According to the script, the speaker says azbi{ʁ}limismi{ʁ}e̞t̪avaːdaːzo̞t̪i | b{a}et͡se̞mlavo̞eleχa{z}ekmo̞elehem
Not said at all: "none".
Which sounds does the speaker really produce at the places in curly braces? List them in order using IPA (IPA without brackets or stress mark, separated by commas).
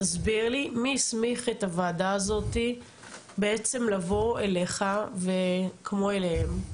ʁ, χ, e, v